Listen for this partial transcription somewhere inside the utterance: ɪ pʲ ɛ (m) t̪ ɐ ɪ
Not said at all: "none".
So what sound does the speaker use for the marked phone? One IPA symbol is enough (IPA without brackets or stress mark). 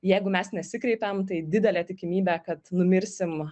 m